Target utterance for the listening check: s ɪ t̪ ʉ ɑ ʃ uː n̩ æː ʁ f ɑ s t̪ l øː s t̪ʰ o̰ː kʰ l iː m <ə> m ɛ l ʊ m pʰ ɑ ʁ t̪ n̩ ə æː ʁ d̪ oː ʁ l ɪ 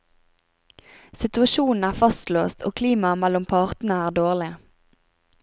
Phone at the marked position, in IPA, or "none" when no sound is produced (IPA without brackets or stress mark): ɑ